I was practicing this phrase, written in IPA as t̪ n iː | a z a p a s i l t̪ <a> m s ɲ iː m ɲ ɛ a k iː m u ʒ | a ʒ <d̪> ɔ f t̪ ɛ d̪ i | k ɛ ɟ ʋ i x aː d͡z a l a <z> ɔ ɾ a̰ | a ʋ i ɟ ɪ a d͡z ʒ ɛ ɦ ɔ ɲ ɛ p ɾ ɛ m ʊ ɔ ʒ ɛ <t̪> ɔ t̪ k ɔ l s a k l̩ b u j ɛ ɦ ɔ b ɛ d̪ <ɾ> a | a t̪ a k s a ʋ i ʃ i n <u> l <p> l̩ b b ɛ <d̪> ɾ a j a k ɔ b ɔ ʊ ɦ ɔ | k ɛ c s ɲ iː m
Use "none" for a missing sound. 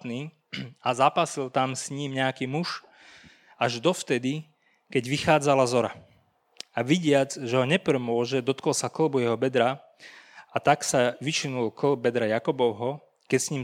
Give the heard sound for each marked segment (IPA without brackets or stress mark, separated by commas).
a, d̪, z, d̪, ɾ, u, k, d̪